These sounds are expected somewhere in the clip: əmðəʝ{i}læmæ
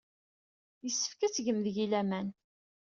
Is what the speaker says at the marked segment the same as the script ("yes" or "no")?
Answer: yes